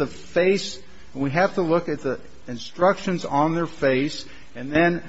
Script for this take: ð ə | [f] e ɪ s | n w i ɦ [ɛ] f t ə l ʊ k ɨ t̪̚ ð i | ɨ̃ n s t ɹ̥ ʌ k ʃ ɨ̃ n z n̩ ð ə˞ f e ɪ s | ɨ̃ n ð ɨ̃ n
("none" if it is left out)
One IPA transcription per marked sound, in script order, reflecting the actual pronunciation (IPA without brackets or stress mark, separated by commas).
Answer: f, æ